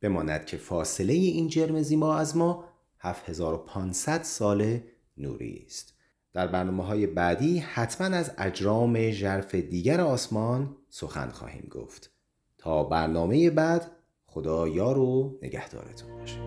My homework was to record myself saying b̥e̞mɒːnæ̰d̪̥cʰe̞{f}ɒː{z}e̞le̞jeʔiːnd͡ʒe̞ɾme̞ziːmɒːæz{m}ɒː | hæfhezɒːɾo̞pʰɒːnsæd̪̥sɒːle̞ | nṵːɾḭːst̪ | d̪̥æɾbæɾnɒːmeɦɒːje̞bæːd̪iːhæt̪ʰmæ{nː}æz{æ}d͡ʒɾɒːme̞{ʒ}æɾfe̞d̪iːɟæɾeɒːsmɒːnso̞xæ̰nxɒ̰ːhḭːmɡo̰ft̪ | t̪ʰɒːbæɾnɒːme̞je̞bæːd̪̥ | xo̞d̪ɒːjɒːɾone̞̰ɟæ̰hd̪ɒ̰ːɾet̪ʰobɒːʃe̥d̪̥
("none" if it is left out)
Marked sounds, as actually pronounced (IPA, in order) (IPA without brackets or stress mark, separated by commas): f, s, m, n, æ, ʒ